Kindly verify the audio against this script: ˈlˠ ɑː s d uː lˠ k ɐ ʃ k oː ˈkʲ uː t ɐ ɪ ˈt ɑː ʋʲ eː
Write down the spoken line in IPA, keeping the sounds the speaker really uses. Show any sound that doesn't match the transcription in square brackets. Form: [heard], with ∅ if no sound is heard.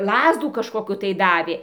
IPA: ˈlˠ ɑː [z] d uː [∅] k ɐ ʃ k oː ˈkʲ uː t ɐ ɪ [ˈd] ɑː ʋʲ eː